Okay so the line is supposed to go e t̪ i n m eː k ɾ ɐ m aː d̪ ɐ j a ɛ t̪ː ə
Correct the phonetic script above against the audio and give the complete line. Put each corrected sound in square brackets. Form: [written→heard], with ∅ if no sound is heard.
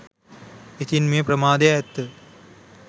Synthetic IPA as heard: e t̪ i n m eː [k→p] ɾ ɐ m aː d̪ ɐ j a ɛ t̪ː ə